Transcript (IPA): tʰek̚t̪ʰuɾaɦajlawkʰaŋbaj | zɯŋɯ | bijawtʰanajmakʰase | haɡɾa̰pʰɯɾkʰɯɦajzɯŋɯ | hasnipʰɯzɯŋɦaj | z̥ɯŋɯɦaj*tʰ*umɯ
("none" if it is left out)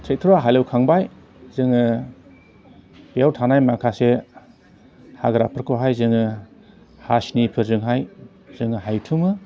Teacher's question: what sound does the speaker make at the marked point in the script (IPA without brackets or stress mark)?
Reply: tʰ